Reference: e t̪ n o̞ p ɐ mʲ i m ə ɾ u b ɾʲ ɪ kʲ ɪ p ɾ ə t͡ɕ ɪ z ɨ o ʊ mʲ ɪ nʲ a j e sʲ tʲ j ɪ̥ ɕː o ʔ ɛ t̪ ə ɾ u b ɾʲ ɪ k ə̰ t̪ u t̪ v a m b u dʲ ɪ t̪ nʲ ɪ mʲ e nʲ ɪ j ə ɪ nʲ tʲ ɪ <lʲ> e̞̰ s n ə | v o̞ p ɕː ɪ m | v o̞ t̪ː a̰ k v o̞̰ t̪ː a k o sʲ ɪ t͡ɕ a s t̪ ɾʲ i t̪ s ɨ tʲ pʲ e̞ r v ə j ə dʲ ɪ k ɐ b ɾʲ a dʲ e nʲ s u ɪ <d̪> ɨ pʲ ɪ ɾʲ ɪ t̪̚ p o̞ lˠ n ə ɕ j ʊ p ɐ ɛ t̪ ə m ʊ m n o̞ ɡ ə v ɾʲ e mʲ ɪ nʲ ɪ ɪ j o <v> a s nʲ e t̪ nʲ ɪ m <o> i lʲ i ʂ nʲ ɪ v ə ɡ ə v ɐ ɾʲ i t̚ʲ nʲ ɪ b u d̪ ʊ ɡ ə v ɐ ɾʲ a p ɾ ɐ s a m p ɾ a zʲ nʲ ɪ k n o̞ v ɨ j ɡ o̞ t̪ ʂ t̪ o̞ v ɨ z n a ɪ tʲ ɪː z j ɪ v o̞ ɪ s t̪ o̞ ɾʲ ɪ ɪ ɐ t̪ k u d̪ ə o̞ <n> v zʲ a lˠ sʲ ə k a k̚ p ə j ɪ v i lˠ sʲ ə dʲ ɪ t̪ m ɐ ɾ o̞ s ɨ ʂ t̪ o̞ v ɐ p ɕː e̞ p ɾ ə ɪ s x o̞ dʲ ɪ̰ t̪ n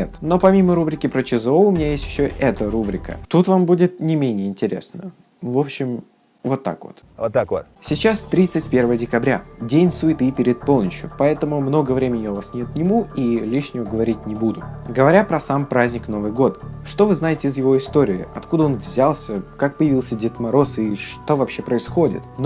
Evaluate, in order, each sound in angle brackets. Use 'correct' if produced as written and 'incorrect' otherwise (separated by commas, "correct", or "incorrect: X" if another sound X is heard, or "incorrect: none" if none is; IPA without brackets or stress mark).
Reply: incorrect: ɾʲ, incorrect: t̪, correct, incorrect: u, correct